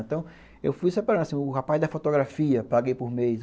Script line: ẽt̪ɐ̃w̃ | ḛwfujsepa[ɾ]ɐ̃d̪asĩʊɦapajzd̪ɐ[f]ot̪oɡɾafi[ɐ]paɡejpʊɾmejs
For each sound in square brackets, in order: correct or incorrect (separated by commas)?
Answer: correct, correct, correct